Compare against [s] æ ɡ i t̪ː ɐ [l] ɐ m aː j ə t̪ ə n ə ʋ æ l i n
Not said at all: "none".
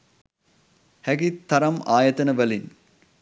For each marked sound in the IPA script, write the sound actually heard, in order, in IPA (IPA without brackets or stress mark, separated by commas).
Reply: h, ɾ